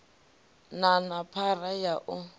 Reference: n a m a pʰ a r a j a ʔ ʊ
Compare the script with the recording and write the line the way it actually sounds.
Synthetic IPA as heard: n a n a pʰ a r a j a ʔ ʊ